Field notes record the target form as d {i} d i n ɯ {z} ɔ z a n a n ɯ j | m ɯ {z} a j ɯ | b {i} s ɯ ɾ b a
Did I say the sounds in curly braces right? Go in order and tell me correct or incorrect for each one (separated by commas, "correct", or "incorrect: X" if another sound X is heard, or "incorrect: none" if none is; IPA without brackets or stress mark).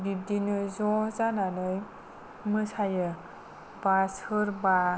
correct, correct, incorrect: s, incorrect: a